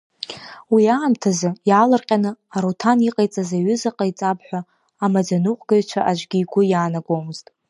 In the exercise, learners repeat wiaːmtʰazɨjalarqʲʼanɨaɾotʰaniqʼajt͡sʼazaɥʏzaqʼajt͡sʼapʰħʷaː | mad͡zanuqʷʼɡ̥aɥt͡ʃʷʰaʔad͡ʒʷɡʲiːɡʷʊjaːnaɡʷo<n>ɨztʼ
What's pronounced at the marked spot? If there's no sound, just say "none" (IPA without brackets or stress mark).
m